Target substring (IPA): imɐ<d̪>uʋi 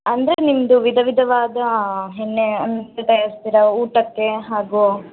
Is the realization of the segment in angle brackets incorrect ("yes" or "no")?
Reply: no